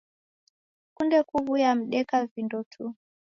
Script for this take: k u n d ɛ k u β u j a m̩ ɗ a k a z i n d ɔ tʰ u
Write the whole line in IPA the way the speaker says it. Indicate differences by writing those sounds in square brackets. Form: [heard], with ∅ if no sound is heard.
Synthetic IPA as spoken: k u n d ɛ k u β u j a m̩ ɗ [ɛ] k a [v] i n d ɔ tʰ u